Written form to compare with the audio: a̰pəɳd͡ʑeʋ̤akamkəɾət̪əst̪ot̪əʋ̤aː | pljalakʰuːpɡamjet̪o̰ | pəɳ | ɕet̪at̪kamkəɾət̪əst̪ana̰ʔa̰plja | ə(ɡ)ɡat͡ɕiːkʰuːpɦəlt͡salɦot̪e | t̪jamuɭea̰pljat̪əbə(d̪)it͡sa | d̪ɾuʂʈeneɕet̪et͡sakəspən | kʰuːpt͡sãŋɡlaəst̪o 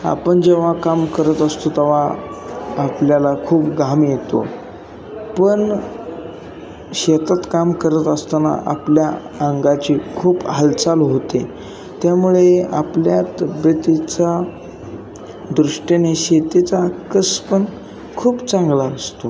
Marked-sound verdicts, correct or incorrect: incorrect, incorrect

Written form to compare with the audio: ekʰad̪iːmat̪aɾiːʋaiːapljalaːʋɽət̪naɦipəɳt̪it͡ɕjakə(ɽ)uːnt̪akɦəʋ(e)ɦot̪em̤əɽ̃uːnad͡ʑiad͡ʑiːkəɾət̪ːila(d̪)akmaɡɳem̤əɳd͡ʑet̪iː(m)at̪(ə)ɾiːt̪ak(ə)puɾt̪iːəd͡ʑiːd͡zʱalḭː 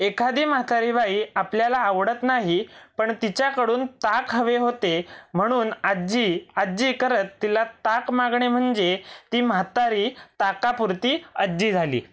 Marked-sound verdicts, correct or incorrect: correct, correct, incorrect, correct, incorrect, incorrect

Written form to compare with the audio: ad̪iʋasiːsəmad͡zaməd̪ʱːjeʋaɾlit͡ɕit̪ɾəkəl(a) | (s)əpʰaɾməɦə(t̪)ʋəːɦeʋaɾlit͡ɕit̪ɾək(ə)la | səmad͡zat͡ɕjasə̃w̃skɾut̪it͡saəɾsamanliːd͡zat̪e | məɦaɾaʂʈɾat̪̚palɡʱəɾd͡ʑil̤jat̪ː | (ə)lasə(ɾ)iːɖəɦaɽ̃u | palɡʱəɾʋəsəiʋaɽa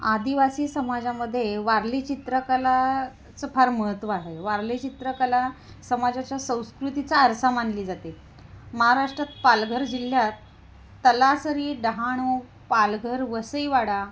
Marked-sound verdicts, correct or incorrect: correct, incorrect, correct, correct, correct, correct

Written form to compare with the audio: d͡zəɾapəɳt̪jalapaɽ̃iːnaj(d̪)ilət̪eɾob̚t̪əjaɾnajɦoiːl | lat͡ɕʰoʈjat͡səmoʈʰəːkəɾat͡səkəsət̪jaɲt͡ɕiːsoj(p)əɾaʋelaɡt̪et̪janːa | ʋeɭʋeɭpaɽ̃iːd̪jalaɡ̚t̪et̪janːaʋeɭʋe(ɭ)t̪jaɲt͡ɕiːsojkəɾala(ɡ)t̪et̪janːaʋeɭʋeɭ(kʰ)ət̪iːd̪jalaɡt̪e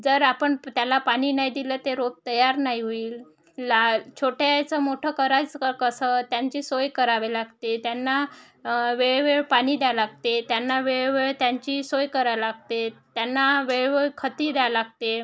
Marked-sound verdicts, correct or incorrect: correct, incorrect, correct, correct, correct

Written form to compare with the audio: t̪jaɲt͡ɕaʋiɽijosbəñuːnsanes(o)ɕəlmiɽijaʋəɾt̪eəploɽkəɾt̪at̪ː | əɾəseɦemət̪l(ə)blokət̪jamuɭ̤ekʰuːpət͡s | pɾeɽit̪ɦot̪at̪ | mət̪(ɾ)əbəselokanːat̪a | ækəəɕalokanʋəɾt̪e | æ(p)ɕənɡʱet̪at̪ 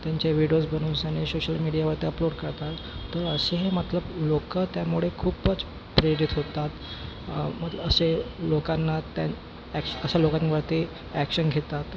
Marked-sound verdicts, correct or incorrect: correct, correct, incorrect, incorrect

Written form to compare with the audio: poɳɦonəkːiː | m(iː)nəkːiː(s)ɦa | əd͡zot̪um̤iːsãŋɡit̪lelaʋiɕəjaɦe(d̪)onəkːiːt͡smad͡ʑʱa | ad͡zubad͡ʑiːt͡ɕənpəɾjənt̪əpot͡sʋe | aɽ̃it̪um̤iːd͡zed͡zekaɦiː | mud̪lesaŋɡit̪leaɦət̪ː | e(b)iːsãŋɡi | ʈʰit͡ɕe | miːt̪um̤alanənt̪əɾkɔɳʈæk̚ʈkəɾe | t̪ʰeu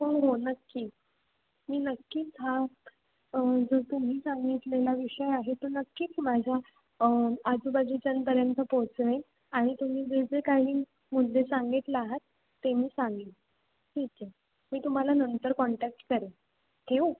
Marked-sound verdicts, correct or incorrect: correct, incorrect, incorrect, incorrect

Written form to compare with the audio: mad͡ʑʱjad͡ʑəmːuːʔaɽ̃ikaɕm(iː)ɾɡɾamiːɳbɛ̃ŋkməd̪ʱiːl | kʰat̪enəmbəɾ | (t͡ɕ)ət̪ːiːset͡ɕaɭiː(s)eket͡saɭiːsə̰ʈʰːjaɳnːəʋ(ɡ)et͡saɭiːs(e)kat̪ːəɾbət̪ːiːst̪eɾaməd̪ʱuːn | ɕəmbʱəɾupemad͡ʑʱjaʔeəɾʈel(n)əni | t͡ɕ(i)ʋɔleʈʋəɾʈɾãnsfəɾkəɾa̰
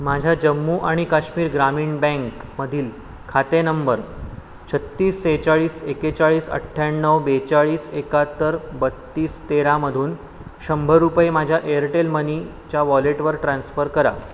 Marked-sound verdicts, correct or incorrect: correct, incorrect, correct, incorrect, correct, incorrect, incorrect

